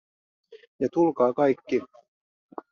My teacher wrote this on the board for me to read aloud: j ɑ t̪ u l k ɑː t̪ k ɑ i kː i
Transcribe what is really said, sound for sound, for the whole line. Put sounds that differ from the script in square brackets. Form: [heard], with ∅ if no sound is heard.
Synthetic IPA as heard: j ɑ t̪ u l k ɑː [∅] k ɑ [j] kː i